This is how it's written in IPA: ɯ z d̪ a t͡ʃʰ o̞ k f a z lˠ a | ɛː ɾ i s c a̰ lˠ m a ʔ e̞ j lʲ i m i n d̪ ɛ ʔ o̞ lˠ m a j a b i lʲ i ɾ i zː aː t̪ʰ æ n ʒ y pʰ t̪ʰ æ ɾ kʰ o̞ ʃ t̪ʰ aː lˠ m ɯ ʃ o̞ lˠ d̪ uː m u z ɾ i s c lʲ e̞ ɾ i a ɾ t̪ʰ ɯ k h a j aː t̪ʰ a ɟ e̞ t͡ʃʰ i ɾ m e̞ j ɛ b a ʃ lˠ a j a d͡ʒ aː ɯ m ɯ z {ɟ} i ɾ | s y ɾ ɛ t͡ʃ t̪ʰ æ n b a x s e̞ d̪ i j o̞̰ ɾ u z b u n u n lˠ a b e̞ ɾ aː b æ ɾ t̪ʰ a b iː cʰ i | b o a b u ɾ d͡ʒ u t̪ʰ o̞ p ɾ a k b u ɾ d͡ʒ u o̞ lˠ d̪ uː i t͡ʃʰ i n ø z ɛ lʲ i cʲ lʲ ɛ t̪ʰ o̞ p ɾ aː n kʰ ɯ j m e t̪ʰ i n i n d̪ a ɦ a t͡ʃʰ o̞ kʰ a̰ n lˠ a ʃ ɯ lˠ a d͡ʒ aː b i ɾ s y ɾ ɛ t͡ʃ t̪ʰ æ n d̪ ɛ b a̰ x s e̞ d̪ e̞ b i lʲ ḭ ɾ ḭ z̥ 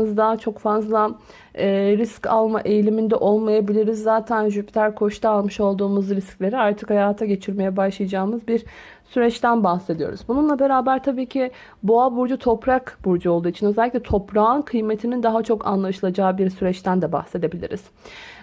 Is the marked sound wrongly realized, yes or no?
yes